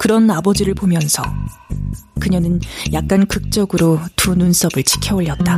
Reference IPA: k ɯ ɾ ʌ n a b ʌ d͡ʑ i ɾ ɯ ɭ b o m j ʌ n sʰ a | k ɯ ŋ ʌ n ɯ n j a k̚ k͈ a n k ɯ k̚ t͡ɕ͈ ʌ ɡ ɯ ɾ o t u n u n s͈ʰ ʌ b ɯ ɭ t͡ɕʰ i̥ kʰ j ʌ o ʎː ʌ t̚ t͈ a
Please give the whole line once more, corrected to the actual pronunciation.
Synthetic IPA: k ɯ ɾ ʌ n a b ʌ d͡ʑ i ɾ ɯ ɭ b o m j ʌ n sʰ ʌ | k ɯ ɲ ʌ n ɯ n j a k̚ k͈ a n k ɯ k̚ t͡ɕ͈ ʌ ɡ ɯ ɾ o t u n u n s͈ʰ ʌ b ɯ ɭ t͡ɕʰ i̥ kʰ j ʌ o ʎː ʌ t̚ t͈ a